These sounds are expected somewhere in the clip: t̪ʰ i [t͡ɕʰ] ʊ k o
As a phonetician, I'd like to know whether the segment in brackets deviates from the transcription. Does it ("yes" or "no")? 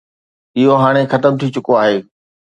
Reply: yes